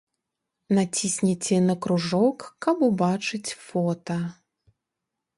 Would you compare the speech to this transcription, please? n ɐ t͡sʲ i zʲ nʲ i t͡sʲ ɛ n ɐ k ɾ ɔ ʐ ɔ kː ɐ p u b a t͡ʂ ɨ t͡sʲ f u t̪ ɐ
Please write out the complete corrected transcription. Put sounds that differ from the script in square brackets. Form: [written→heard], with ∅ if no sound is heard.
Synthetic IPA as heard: n [ɐ→a] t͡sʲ i [zʲ→sʲ] nʲ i t͡sʲ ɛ n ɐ k ɾ [ɔ→u] ʐ ɔ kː ɐ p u b a t͡ʂ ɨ t͡sʲ f [u→ɔ] t̪ ɐ

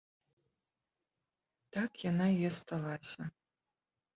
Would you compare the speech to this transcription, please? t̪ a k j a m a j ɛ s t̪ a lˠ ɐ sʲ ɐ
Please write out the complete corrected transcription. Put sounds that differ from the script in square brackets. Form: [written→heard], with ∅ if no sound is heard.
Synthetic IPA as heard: t̪ a k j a [m→n] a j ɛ s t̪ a lˠ [ɐ→a] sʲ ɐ

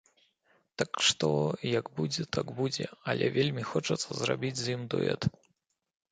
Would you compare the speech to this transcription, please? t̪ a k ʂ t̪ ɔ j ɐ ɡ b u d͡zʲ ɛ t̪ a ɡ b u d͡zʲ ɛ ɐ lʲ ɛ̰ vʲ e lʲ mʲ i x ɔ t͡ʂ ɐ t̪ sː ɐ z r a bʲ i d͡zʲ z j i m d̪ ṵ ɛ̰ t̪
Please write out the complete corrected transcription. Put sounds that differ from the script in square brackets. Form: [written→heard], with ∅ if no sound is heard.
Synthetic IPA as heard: t̪ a k ʂ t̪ ɔ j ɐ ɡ b u d͡zʲ ɛ t̪ a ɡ b u d͡zʲ ɛ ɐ lʲ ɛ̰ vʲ e lʲ mʲ i x ɔ t͡ʂ ɐ t̪ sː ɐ z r a bʲ i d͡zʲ z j i m d̪ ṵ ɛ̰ t̪

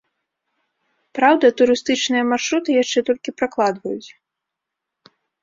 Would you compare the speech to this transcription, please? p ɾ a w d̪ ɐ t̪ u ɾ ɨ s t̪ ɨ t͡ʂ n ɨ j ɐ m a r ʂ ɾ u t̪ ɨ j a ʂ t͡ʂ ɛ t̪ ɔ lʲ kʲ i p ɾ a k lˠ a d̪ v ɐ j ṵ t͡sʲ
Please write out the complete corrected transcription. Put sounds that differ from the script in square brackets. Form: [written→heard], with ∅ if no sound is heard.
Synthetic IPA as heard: p ɾ a w d̪ ɐ t̪ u ɾ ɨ s t̪ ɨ t͡ʂ n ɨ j ɐ m a r ʂ ɾ u t̪ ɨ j a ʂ t͡ʂ ɛ t̪ ɔ lʲ kʲ i p ɾ a k lˠ a d̪ v ɐ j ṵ t͡sʲ

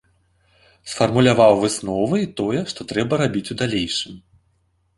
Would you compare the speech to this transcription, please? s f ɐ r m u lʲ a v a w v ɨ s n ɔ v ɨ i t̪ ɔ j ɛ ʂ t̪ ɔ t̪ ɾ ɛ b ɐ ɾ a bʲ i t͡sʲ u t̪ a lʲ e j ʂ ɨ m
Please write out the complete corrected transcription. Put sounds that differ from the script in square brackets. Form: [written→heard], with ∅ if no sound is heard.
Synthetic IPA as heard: s f ɐ r m u lʲ a v a w v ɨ s n ɔ v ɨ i t̪ ɔ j ɛ ʂ t̪ ɔ t̪ ɾ ɛ b ɐ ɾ a bʲ i t͡sʲ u [t̪→d̪] a lʲ e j ʂ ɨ m

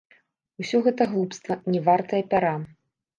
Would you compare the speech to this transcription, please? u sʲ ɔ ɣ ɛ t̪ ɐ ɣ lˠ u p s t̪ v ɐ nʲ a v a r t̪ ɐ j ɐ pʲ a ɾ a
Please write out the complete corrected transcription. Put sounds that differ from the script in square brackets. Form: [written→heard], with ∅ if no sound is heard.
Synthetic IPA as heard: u sʲ ɔ ɣ ɛ t̪ ɐ ɣ lˠ u p s t̪ v ɐ nʲ [a→ɛ] v a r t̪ ɐ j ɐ pʲ a ɾ a

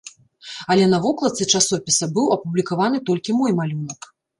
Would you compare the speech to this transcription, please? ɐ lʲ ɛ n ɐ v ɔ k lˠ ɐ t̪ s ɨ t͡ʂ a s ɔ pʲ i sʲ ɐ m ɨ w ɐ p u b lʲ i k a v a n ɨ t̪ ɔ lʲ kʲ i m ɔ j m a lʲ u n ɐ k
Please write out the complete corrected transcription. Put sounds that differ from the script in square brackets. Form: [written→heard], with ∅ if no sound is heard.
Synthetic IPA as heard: ɐ lʲ ɛ n ɐ v ɔ k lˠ ɐ t̪ s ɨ t͡ʂ a s ɔ pʲ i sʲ ɐ [m→b] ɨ w ɐ p u b lʲ i k a v a n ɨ t̪ ɔ lʲ kʲ i m ɔ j m a lʲ u n ɐ k

